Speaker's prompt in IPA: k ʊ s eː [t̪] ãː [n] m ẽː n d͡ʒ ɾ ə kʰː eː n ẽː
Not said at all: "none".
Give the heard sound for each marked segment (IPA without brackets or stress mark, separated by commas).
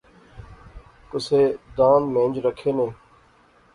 d̪, n